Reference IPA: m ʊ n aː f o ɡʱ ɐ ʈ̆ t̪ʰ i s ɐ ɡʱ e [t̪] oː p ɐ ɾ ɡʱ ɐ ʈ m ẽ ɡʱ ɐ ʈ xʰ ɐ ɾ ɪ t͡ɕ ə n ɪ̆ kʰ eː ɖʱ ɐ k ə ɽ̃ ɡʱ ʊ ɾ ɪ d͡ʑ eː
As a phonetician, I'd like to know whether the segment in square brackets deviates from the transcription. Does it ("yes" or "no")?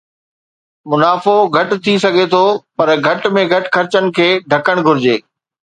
yes